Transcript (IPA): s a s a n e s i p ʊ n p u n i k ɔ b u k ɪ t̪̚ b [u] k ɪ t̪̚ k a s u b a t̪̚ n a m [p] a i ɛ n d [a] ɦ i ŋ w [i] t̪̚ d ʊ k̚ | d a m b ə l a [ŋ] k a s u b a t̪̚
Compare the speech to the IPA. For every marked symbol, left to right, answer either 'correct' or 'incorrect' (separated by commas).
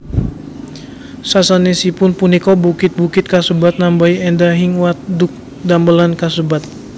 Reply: correct, incorrect, correct, incorrect, incorrect